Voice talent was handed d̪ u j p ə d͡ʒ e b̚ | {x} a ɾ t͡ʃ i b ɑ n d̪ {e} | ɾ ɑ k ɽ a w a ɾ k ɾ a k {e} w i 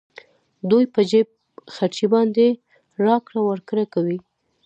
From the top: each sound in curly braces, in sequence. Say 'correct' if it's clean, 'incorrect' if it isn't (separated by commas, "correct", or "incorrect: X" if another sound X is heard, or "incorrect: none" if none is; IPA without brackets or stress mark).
correct, correct, incorrect: a